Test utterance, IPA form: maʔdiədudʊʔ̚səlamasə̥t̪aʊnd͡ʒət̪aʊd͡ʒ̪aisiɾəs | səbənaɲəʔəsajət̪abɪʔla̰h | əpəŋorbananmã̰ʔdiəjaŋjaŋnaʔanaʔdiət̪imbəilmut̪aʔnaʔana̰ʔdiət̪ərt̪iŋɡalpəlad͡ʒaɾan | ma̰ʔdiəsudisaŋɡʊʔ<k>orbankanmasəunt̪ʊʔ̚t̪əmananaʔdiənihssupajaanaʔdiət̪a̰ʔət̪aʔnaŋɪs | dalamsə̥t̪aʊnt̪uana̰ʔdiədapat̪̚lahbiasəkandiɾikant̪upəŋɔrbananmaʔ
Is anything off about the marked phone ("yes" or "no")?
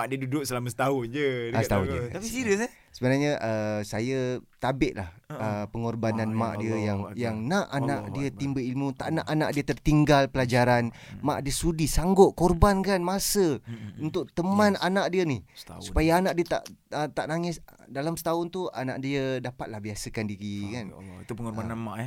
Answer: no